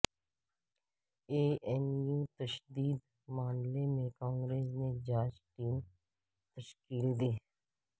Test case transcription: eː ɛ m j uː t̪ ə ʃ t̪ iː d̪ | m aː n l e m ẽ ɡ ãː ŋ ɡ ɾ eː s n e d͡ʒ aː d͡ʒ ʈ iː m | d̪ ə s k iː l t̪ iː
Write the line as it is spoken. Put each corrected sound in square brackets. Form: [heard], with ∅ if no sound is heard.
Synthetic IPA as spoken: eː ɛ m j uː t̪ ə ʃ [d̪] iː d̪ | m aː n l e m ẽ [k] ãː ŋ ɡ ɾ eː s n e d͡ʒ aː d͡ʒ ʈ iː m | [t̪] ə [ʃ] k iː l [d̪] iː